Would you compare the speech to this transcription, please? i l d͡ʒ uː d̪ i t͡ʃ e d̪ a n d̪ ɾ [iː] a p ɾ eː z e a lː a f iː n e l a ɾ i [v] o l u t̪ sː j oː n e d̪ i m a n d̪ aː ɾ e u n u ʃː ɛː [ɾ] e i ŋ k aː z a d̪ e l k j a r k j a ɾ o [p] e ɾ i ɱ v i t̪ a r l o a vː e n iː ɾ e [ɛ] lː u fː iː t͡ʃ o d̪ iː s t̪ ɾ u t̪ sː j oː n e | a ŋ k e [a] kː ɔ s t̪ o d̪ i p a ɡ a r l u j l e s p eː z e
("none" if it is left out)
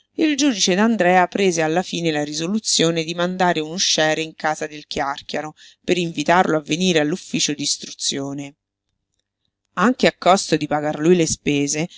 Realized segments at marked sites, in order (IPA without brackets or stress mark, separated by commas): ɛː, z, ɾ, p, a, a